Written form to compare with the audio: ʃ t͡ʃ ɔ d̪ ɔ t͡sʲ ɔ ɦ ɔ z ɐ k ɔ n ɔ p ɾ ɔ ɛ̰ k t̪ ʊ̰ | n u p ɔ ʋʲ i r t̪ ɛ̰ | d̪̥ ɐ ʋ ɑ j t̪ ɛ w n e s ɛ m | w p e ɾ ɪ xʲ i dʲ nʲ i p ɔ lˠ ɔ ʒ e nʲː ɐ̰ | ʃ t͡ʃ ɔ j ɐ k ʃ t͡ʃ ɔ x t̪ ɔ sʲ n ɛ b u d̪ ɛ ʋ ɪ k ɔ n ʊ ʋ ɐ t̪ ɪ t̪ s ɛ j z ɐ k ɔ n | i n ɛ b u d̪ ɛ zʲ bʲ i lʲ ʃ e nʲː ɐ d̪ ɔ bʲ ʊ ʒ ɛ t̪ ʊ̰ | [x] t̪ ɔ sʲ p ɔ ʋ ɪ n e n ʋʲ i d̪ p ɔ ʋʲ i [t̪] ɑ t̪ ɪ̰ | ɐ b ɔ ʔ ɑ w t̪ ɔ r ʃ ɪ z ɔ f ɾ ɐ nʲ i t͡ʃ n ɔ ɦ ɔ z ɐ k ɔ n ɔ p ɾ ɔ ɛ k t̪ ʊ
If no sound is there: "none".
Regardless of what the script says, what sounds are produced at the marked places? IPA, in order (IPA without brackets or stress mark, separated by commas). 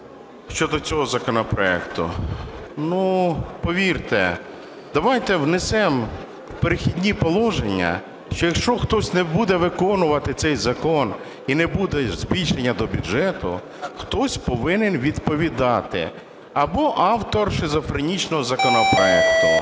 x, d̪